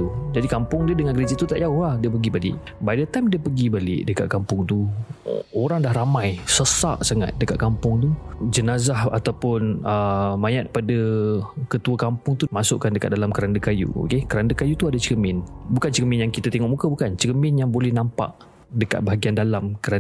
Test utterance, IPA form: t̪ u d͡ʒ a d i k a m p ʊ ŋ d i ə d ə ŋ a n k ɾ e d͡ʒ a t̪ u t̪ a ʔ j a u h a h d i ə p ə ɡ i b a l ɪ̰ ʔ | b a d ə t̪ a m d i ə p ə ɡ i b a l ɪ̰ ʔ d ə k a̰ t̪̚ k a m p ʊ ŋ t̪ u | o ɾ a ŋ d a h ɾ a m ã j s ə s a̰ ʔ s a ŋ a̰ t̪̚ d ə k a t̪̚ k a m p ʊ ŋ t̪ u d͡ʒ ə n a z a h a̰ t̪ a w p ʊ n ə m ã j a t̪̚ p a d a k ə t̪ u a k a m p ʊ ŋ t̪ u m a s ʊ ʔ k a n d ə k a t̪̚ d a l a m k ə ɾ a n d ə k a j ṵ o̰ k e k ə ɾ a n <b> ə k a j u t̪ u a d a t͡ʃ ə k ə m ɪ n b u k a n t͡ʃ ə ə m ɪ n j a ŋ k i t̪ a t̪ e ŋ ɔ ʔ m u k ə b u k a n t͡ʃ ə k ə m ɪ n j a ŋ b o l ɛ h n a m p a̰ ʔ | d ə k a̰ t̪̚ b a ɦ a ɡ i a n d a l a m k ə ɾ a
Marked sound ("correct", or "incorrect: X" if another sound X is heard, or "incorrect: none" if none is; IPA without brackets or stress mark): incorrect: d